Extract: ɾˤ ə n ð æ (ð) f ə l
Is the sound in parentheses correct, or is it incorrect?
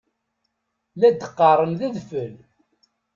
correct